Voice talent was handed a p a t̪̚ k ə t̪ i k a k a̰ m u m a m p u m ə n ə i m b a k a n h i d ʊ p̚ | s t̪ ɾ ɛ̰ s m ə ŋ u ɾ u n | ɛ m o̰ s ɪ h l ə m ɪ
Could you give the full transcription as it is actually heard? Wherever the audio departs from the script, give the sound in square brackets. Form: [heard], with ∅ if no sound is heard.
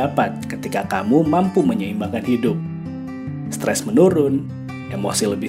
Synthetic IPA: a p a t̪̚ k ə t̪ i k a k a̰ m u m a m p u m ə [ɲ] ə i m b a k a n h i d ʊ p̚ | s t̪ ɾ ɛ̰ s m ə [n] u ɾ [ʊ] n | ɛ m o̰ s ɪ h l ə [b] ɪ